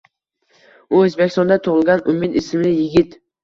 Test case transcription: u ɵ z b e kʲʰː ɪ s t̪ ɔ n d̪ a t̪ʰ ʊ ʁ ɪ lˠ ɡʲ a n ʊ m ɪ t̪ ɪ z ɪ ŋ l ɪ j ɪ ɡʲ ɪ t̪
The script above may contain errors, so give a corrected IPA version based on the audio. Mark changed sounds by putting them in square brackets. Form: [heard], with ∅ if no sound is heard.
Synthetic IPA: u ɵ z b e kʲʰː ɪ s t̪ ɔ n d̪ a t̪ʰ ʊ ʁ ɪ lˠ ɡʲ a n ʊ m ɪ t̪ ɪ [s] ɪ [m] l ɪ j ɪ ɡʲ ɪ t̪